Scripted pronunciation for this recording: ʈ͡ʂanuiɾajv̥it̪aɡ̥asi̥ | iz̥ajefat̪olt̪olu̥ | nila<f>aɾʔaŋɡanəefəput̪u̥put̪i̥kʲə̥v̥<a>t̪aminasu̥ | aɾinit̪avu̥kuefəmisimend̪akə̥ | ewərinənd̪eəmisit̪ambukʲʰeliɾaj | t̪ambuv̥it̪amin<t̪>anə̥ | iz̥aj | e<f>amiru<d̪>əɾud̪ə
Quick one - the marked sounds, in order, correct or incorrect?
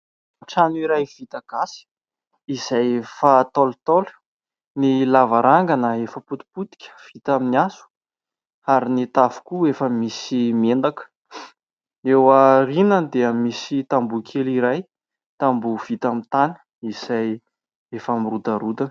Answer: incorrect: v, incorrect: i, correct, correct, correct

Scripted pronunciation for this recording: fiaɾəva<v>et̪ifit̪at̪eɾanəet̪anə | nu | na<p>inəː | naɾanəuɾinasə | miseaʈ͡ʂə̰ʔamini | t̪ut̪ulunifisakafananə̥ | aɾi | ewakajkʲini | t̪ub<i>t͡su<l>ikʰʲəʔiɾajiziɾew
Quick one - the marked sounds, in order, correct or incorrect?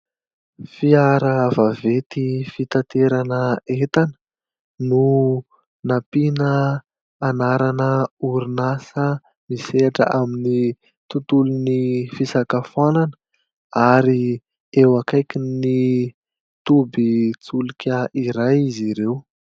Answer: correct, correct, correct, correct

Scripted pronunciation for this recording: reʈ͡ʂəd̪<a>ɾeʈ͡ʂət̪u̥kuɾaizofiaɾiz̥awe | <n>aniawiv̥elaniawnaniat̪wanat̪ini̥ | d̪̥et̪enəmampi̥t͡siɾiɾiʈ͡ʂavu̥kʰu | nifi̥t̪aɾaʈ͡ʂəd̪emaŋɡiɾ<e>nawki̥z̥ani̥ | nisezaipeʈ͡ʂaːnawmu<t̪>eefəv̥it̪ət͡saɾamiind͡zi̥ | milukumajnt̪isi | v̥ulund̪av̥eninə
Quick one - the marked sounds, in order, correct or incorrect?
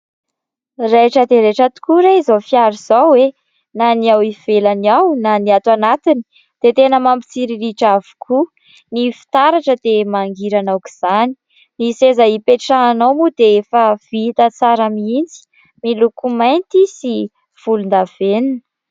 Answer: incorrect: e, correct, incorrect: a, incorrect: d̪

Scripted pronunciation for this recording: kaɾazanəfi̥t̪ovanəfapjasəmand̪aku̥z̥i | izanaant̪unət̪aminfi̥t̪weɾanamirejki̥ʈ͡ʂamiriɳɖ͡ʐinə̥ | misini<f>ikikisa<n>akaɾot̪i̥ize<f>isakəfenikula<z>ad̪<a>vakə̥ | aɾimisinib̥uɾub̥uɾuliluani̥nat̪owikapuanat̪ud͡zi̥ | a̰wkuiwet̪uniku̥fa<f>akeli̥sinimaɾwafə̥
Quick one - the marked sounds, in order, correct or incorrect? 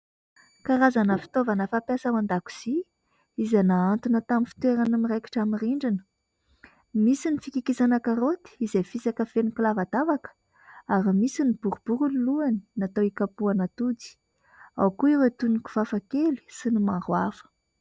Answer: correct, correct, correct, incorrect: v, correct, correct

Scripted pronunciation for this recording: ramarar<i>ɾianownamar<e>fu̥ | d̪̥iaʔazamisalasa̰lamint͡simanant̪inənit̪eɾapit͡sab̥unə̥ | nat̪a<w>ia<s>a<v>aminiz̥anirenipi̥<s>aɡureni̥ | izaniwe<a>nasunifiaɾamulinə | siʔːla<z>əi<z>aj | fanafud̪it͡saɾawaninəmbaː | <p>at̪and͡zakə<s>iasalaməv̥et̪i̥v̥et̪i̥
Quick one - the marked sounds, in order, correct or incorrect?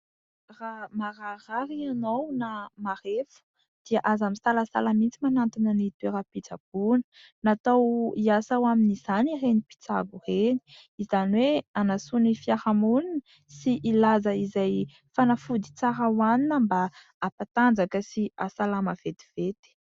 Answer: incorrect: a, correct, correct, correct, incorrect: w, incorrect: t͡s, correct, correct, correct, correct, correct

